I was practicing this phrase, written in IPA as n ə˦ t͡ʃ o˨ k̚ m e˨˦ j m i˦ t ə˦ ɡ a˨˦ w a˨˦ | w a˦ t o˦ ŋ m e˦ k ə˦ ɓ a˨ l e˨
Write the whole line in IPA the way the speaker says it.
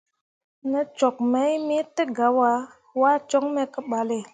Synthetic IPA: n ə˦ t͡ʃ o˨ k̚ m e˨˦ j m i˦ t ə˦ ɡ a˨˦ w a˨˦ | w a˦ t͡ʃ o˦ ŋ m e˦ k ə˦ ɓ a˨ l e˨